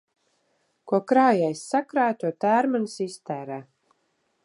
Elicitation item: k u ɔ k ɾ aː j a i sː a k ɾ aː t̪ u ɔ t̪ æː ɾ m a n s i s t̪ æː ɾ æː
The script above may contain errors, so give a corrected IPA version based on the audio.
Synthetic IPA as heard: k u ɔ k ɾ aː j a j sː a k ɾ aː t̪ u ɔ t̪ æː ɾ m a n s i s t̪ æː ɾ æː